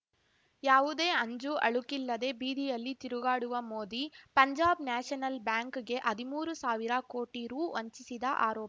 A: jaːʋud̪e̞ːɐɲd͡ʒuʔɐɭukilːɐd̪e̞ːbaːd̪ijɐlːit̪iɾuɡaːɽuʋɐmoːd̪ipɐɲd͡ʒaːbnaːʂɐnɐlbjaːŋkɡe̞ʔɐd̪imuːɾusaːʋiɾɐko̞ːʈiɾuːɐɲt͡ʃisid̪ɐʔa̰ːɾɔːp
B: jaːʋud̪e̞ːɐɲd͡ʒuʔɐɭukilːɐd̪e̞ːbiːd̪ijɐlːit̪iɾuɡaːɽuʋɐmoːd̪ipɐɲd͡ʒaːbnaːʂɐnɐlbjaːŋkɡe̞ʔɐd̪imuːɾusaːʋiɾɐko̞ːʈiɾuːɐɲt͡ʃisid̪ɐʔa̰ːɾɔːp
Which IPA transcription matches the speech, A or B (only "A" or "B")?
B